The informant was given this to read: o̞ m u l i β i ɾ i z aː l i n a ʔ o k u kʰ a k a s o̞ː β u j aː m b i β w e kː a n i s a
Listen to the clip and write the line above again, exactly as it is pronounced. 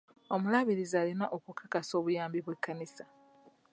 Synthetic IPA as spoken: o̞ m u l a β i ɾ i z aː l i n a ʔ o k u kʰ a k a s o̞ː β u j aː m b i β w e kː a n i s a